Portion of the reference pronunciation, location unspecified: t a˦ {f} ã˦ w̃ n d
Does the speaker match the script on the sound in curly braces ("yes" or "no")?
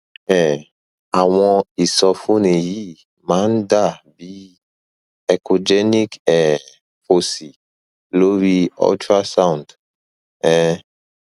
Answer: no